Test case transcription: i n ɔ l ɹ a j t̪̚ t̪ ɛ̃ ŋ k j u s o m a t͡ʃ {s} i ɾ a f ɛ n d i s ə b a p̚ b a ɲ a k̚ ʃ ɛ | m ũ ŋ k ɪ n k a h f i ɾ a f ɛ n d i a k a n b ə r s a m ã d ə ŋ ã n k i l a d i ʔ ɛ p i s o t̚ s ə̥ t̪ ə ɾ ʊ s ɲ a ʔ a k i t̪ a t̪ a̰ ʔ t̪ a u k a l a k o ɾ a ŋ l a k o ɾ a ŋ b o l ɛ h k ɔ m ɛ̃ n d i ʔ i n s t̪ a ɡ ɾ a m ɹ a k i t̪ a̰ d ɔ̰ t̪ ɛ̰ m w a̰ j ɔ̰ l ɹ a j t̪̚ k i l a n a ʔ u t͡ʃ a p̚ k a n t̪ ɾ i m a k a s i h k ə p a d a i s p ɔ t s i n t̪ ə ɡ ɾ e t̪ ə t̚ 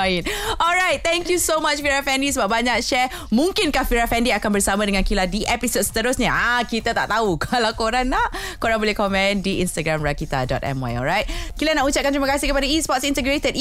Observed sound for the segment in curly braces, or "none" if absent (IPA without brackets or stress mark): f